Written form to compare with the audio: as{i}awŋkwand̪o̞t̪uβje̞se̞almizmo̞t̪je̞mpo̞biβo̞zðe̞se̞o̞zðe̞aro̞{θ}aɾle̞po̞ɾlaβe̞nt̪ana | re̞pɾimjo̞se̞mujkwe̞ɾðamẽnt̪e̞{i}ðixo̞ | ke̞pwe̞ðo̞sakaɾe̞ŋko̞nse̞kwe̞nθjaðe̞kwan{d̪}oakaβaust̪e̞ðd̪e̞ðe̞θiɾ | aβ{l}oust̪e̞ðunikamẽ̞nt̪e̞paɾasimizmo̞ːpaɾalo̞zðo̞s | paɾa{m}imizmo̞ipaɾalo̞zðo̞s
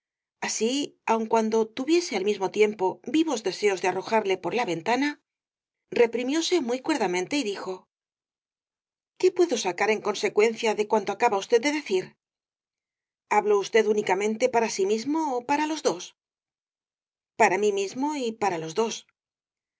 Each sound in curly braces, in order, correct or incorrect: correct, incorrect: x, correct, incorrect: t̪, correct, correct

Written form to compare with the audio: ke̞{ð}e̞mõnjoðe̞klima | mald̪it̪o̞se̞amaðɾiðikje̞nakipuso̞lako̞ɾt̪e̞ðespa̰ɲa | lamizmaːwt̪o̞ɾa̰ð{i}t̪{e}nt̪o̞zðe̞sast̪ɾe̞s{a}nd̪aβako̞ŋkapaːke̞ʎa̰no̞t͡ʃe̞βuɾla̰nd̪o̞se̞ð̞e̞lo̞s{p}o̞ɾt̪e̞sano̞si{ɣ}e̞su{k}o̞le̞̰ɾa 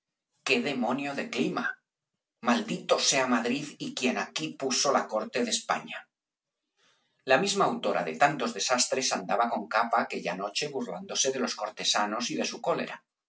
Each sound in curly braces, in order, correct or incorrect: correct, incorrect: e, incorrect: a, correct, incorrect: k, incorrect: ð, correct

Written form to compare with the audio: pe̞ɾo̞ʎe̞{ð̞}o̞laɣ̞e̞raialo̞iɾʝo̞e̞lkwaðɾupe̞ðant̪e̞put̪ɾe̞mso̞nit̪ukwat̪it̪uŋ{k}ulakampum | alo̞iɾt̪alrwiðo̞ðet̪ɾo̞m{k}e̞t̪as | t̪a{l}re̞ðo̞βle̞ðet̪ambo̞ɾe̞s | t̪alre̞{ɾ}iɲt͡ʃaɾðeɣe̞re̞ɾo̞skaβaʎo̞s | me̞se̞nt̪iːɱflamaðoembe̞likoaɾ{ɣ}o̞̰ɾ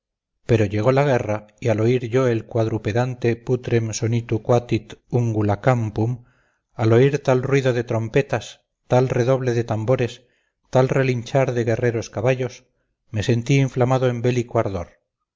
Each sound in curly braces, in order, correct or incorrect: incorrect: ɣ̞, incorrect: ɡ, incorrect: p, correct, incorrect: l, incorrect: ð

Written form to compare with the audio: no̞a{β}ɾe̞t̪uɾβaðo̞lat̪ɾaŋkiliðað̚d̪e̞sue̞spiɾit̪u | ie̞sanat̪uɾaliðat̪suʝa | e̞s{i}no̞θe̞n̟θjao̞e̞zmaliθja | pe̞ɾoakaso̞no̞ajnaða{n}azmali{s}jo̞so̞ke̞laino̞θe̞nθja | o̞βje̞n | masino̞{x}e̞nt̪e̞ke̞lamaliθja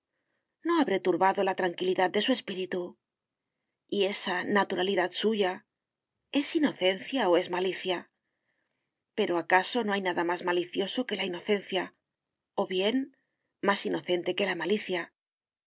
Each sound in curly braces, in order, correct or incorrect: correct, correct, incorrect: m, incorrect: θ, incorrect: θ

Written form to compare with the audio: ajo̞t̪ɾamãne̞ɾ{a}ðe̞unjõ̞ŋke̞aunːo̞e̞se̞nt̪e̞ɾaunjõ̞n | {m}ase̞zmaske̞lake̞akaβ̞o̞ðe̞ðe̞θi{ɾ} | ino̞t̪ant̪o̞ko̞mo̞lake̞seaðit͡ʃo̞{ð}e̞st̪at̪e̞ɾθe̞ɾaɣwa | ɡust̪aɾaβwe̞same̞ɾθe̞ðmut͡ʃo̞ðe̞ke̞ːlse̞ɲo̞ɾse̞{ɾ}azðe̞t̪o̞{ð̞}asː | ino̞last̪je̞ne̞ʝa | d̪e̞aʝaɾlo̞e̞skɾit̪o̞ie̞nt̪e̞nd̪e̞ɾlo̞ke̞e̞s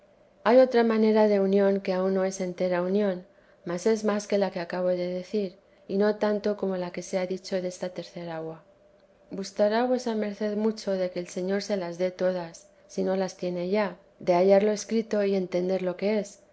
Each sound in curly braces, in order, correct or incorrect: correct, correct, correct, correct, incorrect: l, correct

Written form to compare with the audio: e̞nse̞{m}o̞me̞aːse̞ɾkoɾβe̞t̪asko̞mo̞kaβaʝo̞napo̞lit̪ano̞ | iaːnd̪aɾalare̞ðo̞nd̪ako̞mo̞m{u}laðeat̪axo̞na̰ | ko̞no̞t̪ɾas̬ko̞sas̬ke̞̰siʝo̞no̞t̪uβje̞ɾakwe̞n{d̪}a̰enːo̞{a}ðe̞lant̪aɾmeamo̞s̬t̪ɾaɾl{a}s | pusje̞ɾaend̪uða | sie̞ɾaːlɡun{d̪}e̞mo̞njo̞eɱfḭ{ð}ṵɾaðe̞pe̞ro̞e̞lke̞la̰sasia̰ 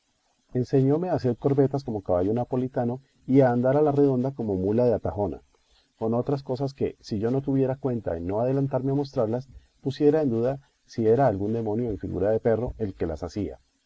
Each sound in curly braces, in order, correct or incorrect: incorrect: ɲ, correct, incorrect: t̪, correct, correct, correct, incorrect: ɣ

